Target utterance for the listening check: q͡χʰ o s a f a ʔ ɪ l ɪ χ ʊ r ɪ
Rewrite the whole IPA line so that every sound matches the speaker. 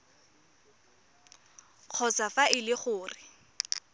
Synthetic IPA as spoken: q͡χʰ ɔ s a f a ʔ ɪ l ɪ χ ʊː r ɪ